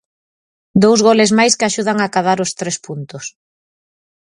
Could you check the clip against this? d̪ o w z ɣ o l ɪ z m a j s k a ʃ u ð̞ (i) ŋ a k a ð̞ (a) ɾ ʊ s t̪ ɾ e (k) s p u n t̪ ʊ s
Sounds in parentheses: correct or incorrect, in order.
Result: incorrect: a, correct, incorrect: none

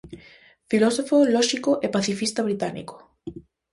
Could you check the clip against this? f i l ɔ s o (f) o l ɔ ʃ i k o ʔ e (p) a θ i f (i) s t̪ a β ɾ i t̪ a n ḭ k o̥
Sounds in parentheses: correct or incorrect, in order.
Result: correct, correct, correct

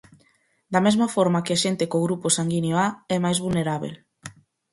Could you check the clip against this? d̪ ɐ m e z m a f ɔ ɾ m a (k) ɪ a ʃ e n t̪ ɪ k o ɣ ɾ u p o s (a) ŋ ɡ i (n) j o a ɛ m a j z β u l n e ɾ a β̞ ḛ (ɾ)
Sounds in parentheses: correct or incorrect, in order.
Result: correct, correct, correct, incorrect: l

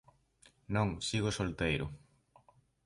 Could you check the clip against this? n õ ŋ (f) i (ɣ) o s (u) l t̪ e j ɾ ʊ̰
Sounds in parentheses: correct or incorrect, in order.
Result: incorrect: s, correct, incorrect: o

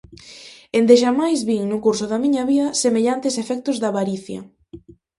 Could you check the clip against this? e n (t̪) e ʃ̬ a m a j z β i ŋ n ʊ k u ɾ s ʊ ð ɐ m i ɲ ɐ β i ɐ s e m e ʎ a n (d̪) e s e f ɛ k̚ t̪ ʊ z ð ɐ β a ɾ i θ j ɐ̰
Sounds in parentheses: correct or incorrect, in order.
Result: incorrect: d̪, incorrect: t̪

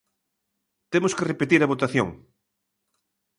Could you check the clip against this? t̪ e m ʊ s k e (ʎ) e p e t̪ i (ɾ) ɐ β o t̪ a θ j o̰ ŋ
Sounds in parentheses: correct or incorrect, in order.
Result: incorrect: r, correct

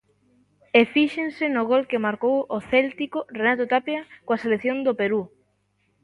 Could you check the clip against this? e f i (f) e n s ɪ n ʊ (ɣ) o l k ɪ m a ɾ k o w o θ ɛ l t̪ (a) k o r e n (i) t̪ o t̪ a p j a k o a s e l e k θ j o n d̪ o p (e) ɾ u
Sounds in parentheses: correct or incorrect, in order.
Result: incorrect: ʃ, correct, incorrect: i, incorrect: a, correct

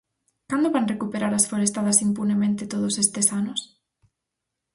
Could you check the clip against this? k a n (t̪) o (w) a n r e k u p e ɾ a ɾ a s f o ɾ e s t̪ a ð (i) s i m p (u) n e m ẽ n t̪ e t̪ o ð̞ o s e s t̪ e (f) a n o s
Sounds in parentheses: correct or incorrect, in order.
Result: incorrect: d̪, incorrect: β, incorrect: a, correct, incorrect: s

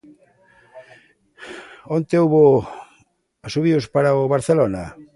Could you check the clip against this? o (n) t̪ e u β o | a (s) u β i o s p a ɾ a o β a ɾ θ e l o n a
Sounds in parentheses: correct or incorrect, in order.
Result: correct, correct

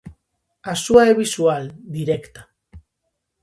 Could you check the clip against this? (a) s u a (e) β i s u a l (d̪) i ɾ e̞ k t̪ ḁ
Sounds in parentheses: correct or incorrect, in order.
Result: correct, correct, correct

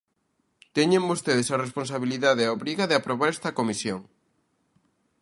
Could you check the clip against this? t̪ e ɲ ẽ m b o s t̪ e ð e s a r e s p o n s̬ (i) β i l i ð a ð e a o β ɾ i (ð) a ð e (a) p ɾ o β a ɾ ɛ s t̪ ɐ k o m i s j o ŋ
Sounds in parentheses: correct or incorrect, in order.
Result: incorrect: a, incorrect: ɣ, correct

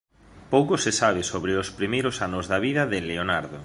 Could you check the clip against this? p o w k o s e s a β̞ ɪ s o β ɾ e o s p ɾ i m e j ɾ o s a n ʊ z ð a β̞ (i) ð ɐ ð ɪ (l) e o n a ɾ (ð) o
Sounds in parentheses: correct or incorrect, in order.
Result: correct, correct, correct

